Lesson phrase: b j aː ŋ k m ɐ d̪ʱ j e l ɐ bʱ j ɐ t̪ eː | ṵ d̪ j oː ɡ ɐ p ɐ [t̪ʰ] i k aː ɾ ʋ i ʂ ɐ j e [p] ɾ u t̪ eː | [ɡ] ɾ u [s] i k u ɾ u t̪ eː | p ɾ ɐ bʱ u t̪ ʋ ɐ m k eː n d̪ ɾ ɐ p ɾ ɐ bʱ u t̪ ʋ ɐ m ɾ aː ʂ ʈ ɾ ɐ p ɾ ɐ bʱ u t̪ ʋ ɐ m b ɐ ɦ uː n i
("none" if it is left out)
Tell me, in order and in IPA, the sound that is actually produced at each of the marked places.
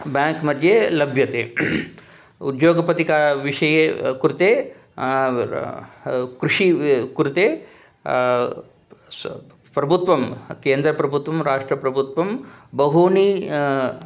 t̪, k, k, ʂ

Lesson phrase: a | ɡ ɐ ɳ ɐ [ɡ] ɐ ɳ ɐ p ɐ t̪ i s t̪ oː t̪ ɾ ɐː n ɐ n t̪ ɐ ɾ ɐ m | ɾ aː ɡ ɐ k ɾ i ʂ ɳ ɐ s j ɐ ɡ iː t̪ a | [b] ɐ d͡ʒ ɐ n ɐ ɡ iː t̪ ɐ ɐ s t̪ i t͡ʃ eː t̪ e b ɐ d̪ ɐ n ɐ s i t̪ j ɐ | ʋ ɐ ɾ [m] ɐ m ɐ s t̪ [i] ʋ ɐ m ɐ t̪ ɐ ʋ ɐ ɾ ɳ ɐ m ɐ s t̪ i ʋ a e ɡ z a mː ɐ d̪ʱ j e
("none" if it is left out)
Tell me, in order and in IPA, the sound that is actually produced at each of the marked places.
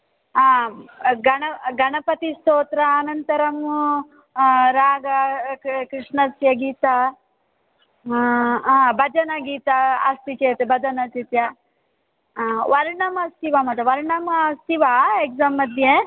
ɡ, b, ɳ, i

